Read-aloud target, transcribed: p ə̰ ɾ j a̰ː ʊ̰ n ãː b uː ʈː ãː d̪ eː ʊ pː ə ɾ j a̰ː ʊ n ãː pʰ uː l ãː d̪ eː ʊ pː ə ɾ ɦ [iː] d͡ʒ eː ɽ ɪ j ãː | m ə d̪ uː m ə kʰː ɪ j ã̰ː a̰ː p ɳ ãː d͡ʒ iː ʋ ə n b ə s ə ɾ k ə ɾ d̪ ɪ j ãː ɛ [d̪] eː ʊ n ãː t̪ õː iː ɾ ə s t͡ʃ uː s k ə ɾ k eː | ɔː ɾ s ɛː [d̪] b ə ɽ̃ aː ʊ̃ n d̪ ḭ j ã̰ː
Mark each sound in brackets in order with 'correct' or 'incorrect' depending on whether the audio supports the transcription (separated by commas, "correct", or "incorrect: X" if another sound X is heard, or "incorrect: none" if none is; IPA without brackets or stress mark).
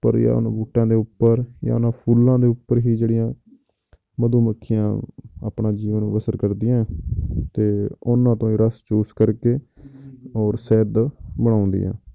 correct, incorrect: t̪, correct